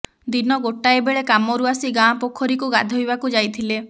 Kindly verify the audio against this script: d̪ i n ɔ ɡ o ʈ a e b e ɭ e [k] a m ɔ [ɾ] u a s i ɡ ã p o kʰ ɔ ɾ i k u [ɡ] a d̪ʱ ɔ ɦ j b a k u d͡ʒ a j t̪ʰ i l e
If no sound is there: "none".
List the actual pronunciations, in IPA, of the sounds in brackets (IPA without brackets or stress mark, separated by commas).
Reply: k, ɾ, ɡ